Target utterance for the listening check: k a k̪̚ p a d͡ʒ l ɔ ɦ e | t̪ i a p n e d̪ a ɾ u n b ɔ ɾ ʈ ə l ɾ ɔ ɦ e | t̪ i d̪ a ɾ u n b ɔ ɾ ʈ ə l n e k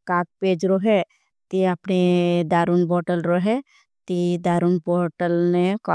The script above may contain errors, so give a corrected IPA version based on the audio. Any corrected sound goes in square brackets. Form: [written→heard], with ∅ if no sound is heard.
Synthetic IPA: k a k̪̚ p [a→e] d͡ʒ [l→ɾ] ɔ ɦ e | t̪ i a p n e d̪ a ɾ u n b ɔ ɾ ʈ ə l ɾ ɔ ɦ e | t̪ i d̪ a ɾ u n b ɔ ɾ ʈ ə l n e k